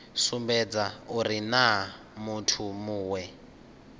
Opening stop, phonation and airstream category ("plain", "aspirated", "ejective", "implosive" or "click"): plain